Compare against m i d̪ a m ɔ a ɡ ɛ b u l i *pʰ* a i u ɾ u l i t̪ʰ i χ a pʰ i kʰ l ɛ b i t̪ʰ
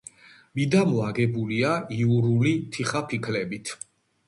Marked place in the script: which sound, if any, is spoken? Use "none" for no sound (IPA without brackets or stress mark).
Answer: none